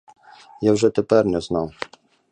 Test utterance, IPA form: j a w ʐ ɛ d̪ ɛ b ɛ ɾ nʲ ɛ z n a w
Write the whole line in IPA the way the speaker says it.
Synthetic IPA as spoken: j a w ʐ ɛ t̪ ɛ p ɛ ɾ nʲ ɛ z n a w